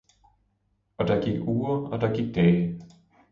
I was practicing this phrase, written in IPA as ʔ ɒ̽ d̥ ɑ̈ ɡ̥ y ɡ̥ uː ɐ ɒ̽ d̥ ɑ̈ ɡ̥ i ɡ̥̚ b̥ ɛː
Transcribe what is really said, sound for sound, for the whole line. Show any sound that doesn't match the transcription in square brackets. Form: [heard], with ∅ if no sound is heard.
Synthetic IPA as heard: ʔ ɒ̽ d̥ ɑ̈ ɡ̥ [i] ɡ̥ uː ɐ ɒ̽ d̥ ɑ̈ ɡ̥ i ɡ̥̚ [d̥] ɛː